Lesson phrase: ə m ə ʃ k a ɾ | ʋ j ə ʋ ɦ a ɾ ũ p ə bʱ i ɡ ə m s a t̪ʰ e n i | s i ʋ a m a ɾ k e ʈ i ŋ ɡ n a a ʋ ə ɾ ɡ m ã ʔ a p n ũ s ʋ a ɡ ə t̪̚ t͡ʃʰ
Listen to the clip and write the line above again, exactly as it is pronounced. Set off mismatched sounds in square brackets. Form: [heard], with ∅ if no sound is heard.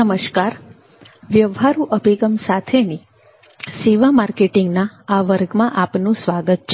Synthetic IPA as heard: ə m ə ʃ k a ɾ | ʋ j ə ʋ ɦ a ɾ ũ [ʔ] ə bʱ i ɡ ə m s a t̪ʰ e n i | s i ʋ a m a ɾ k e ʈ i ŋ ɡ n a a ʋ ə ɾ ɡ m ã ʔ a p n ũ s ʋ a ɡ ə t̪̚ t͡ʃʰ